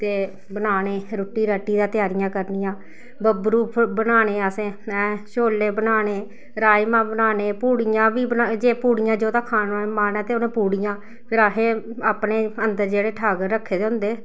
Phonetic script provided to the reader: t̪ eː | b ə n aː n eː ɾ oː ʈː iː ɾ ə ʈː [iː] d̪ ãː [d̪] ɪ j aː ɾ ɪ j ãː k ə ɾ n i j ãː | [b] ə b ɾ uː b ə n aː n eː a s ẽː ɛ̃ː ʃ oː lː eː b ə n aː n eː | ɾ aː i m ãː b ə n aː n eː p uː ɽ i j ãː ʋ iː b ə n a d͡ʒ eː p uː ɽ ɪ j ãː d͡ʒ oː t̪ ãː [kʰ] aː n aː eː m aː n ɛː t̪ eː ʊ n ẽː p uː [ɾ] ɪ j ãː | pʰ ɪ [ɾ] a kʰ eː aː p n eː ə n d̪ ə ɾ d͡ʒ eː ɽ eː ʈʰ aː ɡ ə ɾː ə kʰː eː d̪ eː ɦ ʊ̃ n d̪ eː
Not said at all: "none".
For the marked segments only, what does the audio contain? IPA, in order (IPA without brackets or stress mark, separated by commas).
iː, t̪, b, kʰ, ɽ, ɾ